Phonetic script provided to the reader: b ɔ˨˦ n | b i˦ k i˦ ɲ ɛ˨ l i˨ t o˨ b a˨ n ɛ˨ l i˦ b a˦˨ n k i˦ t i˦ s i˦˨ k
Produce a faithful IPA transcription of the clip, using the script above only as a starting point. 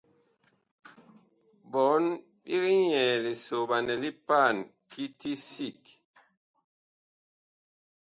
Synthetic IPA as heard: b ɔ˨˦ n | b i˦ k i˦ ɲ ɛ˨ l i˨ s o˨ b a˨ n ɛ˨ l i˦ p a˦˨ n k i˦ t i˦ s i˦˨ k